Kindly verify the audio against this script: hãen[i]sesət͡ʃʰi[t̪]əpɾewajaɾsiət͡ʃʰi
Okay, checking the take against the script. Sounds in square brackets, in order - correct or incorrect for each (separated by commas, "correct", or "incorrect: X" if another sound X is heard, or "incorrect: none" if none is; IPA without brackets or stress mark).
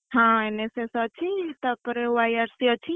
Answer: incorrect: e, correct